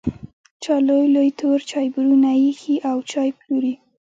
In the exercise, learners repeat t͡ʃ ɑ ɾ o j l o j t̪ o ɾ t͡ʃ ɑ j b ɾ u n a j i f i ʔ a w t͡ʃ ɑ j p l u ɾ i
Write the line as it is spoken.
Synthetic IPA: t͡ʃ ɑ l o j l o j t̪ o ɾ t͡ʃ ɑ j b ɾ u n a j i x i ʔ a w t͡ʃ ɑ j p l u ɾ i